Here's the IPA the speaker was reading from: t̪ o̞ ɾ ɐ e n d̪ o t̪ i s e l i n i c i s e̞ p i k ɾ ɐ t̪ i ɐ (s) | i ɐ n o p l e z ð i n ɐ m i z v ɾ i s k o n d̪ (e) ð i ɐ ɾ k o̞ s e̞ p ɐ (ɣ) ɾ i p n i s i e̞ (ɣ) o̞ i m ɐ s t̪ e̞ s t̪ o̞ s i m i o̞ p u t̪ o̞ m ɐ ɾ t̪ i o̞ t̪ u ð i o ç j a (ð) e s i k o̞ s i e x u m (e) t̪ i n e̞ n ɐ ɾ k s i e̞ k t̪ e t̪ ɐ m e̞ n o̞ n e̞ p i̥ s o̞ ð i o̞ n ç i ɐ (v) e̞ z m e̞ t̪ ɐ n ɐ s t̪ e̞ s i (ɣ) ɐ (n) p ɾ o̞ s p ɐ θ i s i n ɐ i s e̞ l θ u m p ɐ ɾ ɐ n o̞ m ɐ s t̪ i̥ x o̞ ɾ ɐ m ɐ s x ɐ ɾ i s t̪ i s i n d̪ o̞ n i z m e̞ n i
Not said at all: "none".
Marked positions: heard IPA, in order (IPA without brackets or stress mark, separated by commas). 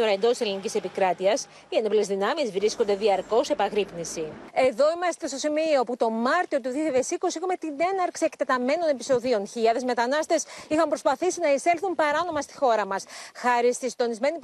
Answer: s, e, ɣ, ð, ð, e, ð, x, m